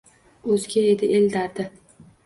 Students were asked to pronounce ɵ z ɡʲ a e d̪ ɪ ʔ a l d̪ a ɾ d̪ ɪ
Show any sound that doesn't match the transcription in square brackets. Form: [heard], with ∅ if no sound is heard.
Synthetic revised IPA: ɵ z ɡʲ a e d̪ ɪ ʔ [e] l d̪ a ɾ d̪ ɪ